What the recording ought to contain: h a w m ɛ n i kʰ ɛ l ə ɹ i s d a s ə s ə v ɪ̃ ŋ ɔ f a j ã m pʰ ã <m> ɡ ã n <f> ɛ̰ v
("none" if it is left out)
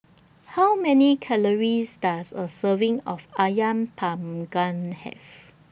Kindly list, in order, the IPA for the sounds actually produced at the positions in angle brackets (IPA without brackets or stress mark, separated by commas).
m, h